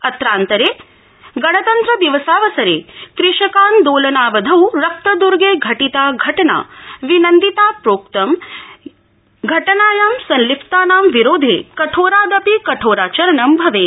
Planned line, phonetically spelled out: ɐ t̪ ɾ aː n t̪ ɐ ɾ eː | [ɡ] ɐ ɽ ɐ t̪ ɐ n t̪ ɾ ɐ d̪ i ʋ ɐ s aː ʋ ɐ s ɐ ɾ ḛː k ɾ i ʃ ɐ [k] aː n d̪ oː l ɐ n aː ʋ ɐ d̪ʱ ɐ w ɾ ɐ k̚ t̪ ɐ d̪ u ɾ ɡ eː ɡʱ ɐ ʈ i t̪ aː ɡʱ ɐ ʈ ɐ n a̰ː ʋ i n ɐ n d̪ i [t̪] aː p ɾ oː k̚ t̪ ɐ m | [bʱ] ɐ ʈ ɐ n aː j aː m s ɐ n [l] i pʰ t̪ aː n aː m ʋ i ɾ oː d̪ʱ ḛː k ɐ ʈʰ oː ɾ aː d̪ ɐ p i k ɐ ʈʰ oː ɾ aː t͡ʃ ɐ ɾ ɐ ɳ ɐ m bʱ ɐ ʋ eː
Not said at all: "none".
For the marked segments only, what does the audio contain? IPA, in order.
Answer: ɡ, k, t̪, ɡʱ, l

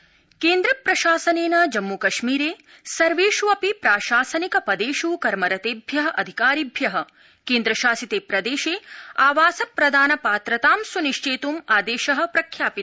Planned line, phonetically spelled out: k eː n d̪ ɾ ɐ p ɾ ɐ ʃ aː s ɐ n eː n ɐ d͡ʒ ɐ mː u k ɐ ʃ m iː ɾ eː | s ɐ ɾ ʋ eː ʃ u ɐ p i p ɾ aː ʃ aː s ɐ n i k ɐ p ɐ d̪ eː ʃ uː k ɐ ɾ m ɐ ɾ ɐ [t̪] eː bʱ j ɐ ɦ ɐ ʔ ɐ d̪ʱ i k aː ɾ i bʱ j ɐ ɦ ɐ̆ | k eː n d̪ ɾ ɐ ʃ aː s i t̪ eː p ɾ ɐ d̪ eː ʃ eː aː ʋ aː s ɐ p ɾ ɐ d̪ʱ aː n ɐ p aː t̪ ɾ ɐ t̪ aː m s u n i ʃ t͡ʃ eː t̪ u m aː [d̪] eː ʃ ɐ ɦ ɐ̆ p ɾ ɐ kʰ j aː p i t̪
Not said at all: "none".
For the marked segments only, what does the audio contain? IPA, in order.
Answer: t̪, d̪

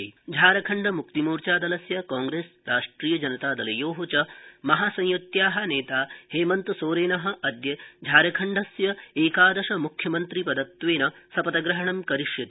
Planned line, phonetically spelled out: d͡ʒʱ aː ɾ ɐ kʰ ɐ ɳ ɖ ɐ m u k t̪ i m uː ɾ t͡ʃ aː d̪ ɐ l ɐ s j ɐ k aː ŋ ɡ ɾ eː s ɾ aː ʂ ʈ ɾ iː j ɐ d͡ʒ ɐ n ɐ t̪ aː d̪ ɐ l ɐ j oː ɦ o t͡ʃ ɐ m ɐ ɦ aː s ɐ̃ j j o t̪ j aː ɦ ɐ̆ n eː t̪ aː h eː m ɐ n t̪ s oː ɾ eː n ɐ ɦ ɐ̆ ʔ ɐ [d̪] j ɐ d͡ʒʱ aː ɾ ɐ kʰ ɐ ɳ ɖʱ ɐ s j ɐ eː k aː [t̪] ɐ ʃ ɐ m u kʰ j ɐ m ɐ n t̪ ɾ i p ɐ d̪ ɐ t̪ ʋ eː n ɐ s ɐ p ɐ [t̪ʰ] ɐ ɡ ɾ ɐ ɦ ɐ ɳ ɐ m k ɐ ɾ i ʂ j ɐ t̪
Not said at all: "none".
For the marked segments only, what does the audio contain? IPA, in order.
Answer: d̪, d̪, t̪

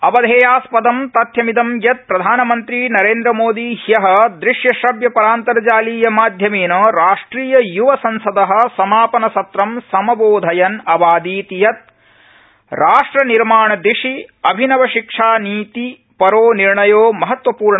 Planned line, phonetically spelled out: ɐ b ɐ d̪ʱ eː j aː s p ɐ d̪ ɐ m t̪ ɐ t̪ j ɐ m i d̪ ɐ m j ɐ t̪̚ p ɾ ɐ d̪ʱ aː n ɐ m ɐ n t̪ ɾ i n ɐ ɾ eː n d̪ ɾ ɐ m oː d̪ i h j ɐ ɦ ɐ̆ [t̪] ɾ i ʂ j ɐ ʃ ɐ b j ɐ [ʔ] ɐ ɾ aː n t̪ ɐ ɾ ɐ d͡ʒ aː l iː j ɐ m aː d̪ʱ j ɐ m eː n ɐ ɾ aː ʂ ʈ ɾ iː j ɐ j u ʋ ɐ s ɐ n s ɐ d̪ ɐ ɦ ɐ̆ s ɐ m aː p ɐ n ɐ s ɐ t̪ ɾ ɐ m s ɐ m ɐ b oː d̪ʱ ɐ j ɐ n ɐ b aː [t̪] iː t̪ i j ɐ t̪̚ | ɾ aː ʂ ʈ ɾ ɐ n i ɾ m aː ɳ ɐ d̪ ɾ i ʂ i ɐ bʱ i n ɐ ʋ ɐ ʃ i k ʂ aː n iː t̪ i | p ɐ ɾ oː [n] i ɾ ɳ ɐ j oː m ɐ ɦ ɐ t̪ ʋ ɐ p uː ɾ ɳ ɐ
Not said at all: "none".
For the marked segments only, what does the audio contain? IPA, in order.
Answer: d̪, p, d̪, n

